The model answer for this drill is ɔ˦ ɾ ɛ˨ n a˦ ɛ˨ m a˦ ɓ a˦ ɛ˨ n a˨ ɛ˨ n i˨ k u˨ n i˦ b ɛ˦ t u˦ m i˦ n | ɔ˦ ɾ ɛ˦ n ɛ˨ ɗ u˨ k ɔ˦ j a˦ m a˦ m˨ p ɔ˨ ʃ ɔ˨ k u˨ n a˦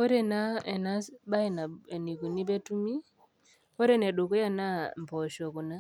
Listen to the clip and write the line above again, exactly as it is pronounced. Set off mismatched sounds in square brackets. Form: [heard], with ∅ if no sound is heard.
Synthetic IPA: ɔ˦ ɾ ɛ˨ n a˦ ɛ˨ [n] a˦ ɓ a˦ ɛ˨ n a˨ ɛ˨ n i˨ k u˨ n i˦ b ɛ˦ t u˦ m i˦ [∅] | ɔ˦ ɾ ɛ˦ n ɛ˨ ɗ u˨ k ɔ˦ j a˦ [n] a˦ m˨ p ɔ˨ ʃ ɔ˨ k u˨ n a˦